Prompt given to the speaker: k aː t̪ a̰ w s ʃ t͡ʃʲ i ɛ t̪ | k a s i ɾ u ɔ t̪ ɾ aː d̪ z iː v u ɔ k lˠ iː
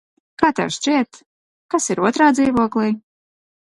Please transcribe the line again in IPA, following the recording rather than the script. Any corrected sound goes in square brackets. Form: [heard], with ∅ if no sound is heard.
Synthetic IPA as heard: k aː t̪ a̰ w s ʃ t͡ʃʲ i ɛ t̪ | k a s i ɾ u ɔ t̪ ɾ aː d̪ z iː v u ɔ k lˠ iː